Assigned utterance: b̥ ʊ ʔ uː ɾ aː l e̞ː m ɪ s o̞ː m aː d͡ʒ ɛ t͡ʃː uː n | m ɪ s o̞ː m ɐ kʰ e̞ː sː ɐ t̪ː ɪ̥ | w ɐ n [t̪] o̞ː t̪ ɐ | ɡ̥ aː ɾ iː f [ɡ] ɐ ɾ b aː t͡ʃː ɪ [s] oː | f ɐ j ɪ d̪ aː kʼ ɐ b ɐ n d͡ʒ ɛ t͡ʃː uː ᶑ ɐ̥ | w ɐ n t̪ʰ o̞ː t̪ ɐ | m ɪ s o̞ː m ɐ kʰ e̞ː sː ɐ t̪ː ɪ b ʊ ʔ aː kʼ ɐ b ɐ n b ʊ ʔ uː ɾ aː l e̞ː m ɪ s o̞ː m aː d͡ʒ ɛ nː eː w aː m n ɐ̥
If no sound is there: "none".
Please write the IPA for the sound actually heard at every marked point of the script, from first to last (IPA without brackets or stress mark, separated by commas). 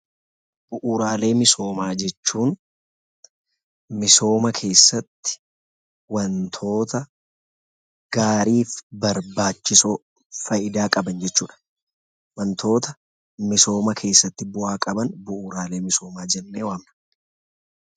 t̪ʰ, b, s